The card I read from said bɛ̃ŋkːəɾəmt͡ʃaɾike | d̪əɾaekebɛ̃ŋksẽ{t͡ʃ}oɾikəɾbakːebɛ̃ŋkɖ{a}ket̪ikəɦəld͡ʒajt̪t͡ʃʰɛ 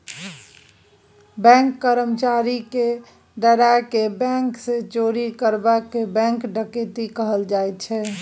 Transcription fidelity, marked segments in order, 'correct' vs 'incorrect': correct, incorrect: ə

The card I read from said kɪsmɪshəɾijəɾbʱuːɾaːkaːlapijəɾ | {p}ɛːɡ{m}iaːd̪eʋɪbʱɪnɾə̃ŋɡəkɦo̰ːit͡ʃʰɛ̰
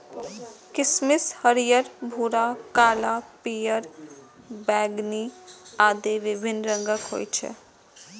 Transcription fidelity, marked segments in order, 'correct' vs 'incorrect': incorrect: b, incorrect: n

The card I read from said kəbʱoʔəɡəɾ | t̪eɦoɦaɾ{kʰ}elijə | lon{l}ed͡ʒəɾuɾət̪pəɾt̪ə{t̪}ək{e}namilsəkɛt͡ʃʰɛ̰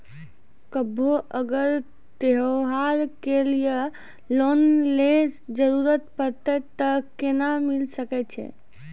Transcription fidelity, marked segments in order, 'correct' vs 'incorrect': incorrect: k, correct, correct, correct

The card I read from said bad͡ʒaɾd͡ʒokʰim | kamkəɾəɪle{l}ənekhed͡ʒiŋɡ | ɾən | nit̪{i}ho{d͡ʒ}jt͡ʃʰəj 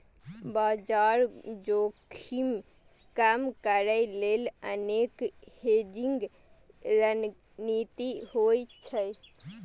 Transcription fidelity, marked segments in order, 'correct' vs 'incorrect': correct, correct, incorrect: none

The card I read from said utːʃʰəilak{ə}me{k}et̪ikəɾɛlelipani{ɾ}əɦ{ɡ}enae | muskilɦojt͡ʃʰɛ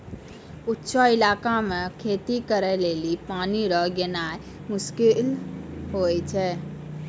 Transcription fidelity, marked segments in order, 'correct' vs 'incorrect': incorrect: a, incorrect: kʰ, correct, correct

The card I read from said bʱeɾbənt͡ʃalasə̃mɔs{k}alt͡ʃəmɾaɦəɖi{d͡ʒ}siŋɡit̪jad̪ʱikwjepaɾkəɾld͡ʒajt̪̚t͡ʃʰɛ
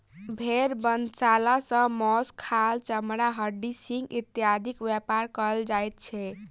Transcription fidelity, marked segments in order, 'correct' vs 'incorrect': incorrect: kʰ, incorrect: none

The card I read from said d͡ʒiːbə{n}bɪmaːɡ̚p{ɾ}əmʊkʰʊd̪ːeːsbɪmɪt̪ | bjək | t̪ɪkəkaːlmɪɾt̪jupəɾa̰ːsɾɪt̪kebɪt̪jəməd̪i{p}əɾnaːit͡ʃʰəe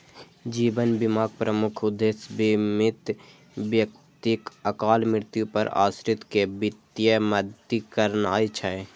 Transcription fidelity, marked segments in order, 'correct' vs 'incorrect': correct, correct, incorrect: k

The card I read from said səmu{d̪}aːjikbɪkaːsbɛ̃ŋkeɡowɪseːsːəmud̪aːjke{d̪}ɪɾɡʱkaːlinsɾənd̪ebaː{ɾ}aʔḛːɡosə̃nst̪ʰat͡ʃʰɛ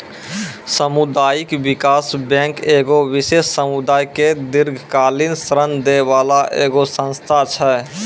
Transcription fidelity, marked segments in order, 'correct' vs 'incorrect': correct, correct, incorrect: l

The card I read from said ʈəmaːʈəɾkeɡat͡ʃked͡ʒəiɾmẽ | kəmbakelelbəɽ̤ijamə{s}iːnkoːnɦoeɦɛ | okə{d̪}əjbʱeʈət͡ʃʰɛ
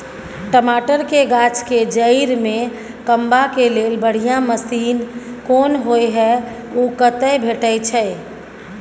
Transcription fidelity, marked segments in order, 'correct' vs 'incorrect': correct, incorrect: t̪

